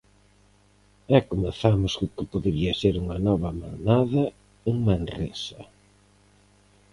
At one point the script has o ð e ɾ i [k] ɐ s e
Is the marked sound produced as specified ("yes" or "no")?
no